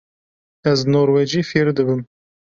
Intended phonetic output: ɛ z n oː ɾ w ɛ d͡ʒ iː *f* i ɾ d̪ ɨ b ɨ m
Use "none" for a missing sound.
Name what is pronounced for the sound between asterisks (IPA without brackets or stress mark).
f